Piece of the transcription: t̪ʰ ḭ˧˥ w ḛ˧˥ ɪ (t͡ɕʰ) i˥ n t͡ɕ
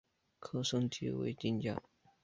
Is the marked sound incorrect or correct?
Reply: incorrect: t͡ɕ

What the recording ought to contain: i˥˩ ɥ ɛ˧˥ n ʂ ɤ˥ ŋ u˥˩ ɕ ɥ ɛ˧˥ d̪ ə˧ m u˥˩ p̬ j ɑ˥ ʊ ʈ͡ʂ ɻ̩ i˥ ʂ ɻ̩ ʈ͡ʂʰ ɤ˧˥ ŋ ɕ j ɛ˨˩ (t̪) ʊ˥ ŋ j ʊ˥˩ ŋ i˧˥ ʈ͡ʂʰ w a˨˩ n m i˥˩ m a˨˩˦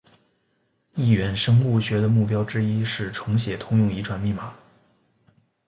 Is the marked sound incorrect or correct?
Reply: incorrect: t̪ʰ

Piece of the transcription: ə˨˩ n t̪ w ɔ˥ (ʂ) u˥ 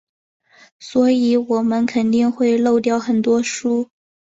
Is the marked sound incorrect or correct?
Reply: correct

